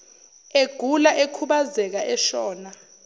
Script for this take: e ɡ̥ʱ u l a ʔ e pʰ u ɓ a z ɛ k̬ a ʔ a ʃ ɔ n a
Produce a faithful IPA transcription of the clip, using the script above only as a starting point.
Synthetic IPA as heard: e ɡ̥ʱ u l a ʔ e kʰ u ɓ a z ɛ k̬ a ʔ ɛ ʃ ɔː n a